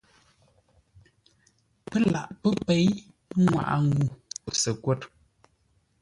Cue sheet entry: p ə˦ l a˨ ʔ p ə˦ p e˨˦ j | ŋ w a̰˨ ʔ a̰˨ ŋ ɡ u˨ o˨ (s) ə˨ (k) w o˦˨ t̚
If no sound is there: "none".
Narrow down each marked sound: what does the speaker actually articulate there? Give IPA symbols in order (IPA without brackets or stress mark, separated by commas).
s, k